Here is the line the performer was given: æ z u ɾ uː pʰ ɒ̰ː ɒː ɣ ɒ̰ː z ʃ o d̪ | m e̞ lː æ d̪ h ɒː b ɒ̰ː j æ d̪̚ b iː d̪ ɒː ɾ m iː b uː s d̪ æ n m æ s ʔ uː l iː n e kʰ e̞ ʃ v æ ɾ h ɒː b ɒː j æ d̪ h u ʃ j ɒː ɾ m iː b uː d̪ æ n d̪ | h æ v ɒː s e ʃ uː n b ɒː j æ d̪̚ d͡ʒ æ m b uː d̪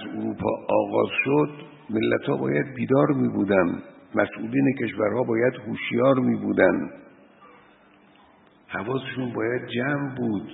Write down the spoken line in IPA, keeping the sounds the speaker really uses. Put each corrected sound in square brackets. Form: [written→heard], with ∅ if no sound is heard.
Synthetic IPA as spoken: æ z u ɾ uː pʰ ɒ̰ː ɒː ɣ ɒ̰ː z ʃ o d̪ | m e̞ lː æ [d̪→t̪] h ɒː b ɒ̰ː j æ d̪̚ b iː d̪ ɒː ɾ m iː b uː [s→∅] d̪ æ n m æ s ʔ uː l iː n e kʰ e̞ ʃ v æ ɾ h ɒː b ɒː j æ d̪ h u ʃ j ɒː ɾ m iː b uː d̪ æ n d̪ | h æ v ɒː s e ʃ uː n b ɒː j æ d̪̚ d͡ʒ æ m b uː d̪